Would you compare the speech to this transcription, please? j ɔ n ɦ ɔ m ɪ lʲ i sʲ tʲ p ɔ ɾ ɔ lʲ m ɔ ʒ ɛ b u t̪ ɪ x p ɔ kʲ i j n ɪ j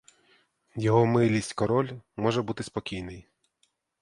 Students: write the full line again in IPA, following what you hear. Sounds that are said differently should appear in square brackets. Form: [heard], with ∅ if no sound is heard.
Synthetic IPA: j ɔ [∅] ɦ ɔ m ɪ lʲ i sʲ tʲ [k] ɔ ɾ ɔ lʲ m ɔ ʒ ɛ b u t̪ ɪ [s] p ɔ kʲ i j n ɪ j